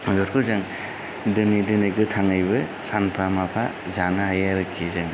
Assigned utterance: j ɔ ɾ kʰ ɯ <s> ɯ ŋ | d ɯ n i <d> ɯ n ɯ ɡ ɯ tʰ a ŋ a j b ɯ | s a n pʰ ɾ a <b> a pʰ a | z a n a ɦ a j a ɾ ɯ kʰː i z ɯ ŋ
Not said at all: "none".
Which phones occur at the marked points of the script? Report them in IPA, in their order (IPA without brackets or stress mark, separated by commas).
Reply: z, d, m